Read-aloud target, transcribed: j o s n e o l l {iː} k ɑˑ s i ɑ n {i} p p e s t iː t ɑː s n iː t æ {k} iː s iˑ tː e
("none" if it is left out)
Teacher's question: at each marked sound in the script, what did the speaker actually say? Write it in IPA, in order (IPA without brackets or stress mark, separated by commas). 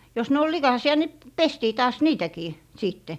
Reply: i, i, k